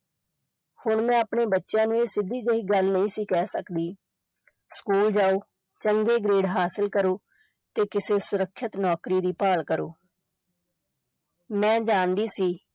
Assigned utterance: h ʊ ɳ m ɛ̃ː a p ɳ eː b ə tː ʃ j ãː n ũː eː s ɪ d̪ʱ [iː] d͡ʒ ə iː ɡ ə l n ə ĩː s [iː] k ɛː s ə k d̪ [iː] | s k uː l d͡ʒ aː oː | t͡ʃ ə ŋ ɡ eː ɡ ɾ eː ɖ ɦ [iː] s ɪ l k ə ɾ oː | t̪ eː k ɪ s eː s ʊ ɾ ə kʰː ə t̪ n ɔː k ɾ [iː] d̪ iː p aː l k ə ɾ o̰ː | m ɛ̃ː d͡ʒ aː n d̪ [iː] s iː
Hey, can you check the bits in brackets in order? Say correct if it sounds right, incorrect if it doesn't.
correct, correct, correct, incorrect: aː, correct, correct

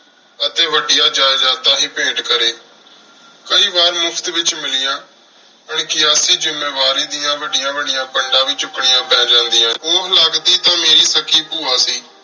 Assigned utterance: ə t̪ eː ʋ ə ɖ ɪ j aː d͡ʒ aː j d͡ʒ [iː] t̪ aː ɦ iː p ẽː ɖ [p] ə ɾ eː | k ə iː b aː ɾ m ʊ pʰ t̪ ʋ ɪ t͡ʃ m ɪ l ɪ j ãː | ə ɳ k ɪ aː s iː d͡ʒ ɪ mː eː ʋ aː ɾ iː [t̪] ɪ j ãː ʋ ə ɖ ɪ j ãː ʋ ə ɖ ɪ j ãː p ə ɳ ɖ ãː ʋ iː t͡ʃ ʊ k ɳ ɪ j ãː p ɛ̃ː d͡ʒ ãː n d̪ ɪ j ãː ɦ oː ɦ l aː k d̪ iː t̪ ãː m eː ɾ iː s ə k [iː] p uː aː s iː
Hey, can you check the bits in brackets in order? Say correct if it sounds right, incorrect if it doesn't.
incorrect: aː, incorrect: k, incorrect: d̪, correct

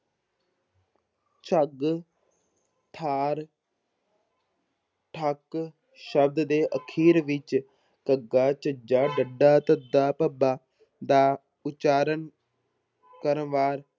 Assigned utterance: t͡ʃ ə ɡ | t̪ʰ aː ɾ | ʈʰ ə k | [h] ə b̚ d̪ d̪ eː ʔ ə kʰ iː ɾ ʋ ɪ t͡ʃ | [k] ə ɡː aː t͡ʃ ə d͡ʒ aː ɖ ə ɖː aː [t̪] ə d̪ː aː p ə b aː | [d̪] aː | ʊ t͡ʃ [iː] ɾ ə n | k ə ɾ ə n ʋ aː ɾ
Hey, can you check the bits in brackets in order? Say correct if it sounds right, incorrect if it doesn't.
incorrect: ʃ, correct, correct, correct, incorrect: aː

